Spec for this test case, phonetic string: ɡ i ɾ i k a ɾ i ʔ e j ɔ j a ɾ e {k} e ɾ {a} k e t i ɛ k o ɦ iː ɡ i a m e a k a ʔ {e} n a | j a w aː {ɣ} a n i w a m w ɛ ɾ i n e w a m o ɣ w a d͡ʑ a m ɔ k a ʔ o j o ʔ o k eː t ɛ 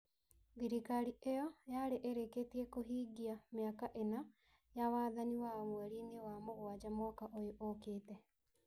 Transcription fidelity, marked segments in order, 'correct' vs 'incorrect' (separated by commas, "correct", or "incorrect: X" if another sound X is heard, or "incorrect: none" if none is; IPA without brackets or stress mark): incorrect: ʔ, incorrect: e, correct, incorrect: ð